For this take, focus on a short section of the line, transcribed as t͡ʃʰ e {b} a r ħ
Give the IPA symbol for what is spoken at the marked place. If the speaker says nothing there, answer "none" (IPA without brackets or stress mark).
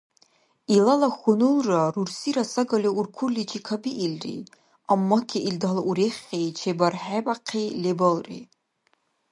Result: b